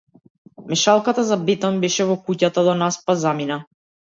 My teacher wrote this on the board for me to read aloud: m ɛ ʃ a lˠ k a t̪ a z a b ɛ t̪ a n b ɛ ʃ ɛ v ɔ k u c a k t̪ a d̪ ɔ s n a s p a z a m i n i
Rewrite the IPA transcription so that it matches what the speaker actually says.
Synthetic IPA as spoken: m ɛ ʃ a lˠ k a t̪ a z a b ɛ t̪ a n b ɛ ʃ ɛ v ɔ k u c a t̪ a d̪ ɔ n a s p a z a m i n a